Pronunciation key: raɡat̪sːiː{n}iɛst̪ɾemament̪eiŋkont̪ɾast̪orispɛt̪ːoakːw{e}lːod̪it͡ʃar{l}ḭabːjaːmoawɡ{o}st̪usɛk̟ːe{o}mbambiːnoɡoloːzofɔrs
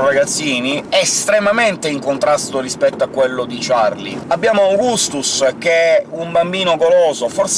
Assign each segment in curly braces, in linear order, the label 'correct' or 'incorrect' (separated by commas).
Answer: correct, correct, correct, incorrect, incorrect